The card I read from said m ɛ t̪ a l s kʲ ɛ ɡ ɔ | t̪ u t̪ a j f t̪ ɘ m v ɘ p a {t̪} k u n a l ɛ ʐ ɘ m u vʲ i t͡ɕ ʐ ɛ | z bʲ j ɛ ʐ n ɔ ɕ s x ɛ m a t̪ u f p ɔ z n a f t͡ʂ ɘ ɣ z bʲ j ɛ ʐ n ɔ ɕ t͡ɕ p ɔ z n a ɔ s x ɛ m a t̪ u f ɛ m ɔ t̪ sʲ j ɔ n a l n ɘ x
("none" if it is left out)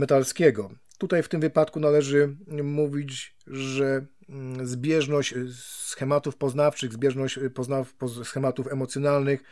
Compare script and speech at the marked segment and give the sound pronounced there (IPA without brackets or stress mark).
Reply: t̪